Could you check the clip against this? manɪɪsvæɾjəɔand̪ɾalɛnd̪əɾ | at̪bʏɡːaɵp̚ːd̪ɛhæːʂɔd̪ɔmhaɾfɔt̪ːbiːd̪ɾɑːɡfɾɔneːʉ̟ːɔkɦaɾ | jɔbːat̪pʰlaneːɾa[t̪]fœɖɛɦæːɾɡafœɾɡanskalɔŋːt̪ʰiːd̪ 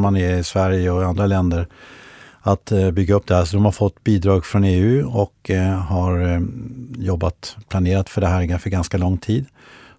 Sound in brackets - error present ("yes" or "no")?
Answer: no